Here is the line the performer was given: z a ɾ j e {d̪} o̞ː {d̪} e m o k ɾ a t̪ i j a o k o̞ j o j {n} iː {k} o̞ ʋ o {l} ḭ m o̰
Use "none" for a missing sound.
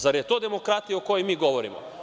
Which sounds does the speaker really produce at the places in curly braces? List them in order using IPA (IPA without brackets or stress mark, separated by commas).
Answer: t̪, d̪, m, ɡ, ɾ